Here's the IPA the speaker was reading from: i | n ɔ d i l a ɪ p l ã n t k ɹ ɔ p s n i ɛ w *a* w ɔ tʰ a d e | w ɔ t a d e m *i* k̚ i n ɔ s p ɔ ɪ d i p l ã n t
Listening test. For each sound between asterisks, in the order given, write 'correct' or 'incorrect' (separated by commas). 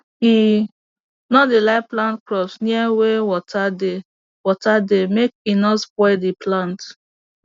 incorrect, incorrect